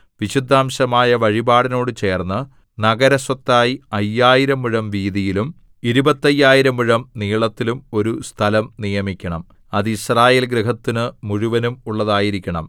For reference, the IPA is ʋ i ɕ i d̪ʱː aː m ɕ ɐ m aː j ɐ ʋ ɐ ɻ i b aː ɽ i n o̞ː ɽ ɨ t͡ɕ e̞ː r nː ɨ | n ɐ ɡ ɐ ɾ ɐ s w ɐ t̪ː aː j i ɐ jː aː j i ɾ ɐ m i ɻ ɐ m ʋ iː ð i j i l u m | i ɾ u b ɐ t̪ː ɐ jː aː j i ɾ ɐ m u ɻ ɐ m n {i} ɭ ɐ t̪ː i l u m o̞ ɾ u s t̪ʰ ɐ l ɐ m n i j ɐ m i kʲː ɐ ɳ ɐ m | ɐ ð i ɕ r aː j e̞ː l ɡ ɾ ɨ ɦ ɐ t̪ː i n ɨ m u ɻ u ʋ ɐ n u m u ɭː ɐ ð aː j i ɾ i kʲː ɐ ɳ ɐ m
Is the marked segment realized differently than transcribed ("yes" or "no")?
yes